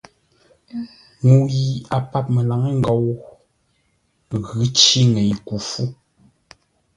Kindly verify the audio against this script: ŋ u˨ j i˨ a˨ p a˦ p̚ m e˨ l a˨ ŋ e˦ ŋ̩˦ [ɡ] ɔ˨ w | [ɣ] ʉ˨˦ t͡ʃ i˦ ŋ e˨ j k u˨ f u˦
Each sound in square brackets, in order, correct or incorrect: correct, correct

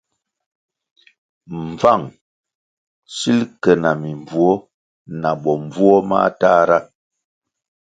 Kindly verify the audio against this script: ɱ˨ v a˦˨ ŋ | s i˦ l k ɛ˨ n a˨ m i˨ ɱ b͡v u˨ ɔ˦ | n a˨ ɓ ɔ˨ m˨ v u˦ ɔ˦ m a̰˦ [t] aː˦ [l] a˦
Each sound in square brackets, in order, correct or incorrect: correct, incorrect: ɾ

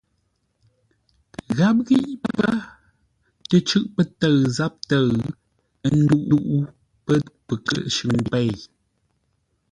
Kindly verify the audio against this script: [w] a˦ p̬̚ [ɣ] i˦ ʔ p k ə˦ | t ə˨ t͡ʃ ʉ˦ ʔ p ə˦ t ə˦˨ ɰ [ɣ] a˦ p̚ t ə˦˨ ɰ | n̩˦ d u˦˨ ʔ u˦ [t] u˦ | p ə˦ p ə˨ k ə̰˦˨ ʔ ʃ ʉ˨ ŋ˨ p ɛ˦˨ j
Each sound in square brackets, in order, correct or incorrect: incorrect: ɣ, correct, incorrect: z, incorrect: ʔ

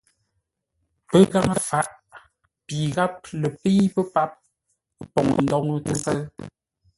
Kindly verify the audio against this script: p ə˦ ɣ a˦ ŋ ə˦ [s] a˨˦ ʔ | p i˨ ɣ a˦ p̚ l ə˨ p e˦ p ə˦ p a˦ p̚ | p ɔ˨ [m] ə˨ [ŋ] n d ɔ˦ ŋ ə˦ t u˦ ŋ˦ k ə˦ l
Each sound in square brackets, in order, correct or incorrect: incorrect: f, incorrect: ŋ, incorrect: none

